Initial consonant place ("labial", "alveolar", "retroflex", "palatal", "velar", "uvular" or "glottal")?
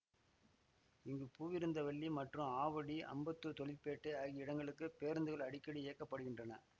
velar